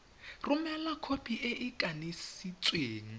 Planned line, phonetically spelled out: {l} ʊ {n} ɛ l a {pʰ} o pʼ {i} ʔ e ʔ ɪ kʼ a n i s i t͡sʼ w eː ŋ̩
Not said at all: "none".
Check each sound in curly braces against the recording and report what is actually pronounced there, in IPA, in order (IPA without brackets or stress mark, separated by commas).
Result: r, m, kʰ, i